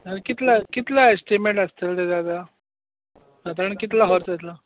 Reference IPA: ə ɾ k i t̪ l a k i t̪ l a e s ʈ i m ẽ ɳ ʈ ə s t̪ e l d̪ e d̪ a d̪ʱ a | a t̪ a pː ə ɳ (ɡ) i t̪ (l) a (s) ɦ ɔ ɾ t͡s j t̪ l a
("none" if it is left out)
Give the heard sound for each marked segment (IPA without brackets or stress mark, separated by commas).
k, l, none